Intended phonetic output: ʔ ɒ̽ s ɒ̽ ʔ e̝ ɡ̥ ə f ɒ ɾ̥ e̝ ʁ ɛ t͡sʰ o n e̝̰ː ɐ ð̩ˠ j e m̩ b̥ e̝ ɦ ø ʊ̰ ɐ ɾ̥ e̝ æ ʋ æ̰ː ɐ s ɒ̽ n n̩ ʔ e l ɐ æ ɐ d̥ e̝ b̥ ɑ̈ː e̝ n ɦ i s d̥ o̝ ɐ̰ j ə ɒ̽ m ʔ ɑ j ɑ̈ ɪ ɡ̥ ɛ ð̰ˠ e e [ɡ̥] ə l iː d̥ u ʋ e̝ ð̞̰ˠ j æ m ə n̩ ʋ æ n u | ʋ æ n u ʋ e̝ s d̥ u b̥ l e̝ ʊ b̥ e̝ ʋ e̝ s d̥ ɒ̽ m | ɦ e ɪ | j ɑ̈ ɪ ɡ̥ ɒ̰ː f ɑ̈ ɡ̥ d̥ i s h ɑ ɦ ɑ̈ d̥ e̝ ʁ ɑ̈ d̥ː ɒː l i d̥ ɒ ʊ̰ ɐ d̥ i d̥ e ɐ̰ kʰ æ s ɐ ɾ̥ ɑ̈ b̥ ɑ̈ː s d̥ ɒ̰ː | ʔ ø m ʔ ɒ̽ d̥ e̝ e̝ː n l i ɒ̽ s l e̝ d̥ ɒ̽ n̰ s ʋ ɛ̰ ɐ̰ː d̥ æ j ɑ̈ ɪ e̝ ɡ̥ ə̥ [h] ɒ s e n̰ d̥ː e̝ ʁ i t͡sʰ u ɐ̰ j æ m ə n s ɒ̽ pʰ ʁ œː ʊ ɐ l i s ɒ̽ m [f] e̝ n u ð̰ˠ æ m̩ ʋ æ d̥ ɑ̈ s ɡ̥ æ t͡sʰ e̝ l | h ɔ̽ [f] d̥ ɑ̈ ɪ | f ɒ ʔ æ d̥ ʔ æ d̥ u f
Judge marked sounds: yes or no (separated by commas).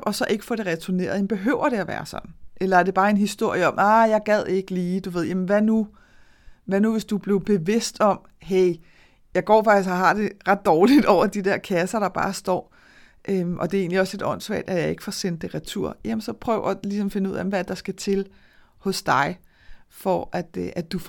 yes, no, yes, no